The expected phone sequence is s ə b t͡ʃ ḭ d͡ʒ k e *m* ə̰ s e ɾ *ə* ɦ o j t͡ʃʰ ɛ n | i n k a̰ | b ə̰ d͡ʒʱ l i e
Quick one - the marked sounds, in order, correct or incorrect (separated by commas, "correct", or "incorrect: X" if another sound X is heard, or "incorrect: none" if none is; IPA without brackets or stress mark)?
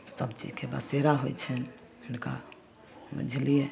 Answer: incorrect: b, incorrect: a